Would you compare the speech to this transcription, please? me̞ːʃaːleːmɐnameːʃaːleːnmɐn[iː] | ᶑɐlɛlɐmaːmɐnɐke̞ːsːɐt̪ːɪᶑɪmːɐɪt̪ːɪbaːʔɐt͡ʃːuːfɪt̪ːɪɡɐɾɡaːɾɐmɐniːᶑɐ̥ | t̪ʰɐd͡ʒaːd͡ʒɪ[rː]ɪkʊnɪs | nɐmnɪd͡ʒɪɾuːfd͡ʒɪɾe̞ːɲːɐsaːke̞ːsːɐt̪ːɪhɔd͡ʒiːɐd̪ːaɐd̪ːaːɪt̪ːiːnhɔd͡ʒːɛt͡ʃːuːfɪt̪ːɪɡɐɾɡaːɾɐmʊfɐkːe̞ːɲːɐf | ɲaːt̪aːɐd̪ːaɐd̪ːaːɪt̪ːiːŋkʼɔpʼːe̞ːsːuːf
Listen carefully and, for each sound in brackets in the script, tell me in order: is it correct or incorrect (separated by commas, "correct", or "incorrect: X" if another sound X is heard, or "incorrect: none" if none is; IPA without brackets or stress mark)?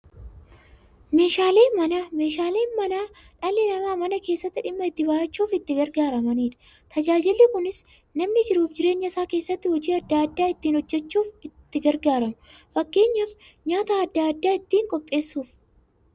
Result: incorrect: aː, incorrect: lː